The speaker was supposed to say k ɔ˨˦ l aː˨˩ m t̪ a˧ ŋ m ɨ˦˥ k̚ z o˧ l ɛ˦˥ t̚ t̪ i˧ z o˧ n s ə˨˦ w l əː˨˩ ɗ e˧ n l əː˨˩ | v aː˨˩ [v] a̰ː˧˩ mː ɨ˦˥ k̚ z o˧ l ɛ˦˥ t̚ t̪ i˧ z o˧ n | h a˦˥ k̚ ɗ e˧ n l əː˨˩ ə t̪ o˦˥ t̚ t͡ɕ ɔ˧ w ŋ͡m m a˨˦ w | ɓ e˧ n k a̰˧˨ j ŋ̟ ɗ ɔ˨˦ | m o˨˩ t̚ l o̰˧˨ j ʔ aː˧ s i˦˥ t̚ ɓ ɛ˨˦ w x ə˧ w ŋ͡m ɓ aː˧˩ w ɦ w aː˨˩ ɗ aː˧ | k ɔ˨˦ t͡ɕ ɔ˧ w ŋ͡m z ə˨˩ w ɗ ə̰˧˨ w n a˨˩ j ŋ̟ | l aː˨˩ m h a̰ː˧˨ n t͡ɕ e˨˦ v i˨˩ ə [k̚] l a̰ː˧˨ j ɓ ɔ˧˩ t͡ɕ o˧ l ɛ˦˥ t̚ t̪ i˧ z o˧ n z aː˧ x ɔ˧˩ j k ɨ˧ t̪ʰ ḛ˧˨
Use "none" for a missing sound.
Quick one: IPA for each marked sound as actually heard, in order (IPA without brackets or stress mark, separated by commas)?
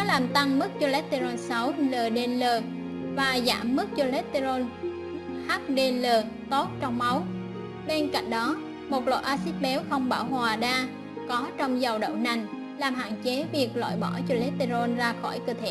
z, k̚